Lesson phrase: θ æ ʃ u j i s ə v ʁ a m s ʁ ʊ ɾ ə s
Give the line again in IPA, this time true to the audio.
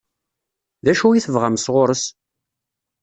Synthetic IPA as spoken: ð æ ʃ u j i θ ə v ʁ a m s ʁ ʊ ɾ ə s